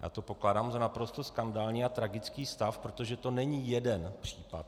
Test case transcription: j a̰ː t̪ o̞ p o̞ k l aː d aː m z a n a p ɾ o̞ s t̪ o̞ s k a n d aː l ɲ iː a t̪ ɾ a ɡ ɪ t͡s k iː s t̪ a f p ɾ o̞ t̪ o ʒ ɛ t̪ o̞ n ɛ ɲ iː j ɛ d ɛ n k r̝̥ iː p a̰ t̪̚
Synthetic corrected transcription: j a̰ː t̪ o̞ p o̞ k l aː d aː m z a n a p ɾ o̞ s t̪ o̞ s k a n d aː l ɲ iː a t̪ ɾ a ɡ ɪ t͡s k iː s t̪ a f p ɾ o̞ t̪ o ʒ ɛ t̪ o̞ n ɛ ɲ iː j ɛ d ɛ n p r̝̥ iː p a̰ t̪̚